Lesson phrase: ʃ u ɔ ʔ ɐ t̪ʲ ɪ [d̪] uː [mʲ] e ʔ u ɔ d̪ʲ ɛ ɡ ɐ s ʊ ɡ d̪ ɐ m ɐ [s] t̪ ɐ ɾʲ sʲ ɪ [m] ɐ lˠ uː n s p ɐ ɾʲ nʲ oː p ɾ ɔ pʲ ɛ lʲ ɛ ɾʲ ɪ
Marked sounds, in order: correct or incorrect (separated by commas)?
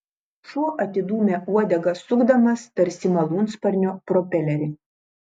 correct, correct, correct, correct